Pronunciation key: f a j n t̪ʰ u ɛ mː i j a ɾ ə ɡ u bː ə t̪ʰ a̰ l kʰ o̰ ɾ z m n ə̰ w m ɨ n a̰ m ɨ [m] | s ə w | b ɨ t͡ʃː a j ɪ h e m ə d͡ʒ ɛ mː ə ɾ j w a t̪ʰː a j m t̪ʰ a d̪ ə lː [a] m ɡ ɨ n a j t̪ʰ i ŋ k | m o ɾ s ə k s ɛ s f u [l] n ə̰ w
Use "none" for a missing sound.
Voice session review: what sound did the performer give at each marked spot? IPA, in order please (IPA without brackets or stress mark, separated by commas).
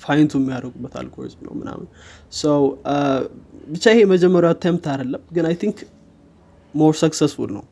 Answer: n, ə, l